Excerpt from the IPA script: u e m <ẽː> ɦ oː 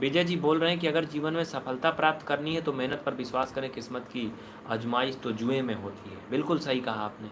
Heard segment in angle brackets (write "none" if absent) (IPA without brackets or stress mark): ẽ